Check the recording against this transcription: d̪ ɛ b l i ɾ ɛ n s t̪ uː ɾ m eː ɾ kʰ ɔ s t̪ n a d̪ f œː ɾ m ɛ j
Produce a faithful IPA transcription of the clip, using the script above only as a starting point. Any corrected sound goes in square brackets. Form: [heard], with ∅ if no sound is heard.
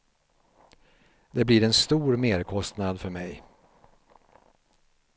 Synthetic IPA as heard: d̪ ɛ b l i ɾ ɛ n s t̪ uː ɾ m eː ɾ kʰ ɔ s t̪ n a d̪ f [œ] ɾ m ɛ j